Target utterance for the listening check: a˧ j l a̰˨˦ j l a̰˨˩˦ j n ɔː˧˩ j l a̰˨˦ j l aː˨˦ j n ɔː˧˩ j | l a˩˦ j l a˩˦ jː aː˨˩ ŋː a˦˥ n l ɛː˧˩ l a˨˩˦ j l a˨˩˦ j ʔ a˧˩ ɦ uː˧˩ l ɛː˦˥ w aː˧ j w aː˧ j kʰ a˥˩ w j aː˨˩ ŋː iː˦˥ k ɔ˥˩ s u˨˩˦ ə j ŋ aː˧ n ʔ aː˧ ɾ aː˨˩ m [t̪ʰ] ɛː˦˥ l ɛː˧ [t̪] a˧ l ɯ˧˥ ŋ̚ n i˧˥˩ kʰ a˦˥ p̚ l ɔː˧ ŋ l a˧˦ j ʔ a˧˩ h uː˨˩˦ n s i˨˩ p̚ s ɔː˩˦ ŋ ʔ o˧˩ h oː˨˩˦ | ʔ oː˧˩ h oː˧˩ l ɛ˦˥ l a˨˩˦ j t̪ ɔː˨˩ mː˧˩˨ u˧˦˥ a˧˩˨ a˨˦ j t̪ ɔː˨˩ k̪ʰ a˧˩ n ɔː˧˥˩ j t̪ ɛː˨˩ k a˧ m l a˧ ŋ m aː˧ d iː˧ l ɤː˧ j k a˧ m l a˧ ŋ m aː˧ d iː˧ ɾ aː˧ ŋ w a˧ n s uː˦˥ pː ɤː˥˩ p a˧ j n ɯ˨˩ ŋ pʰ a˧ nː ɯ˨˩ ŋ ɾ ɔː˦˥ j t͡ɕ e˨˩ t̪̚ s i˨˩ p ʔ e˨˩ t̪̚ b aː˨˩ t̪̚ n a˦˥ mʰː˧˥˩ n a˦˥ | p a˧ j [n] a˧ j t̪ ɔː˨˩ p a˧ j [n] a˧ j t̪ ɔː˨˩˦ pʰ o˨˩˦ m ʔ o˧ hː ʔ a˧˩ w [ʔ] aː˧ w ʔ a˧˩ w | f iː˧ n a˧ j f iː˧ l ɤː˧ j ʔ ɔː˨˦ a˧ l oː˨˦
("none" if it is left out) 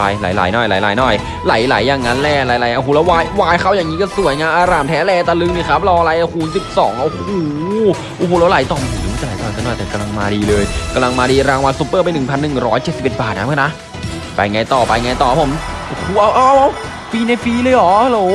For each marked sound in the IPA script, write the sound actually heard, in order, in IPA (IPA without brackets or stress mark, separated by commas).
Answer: t̪ʰ, t̪, ŋ, ŋ, ʔ